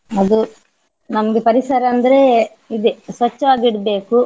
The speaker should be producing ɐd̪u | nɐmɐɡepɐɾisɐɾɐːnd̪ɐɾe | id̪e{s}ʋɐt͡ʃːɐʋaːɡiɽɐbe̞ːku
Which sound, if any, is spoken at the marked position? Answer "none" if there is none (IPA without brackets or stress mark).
s